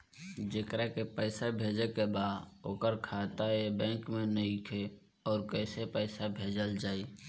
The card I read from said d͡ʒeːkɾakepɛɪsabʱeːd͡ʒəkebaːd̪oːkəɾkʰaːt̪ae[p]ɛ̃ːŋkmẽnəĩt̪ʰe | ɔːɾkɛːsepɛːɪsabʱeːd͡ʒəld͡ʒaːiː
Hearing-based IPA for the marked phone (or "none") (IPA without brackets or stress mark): b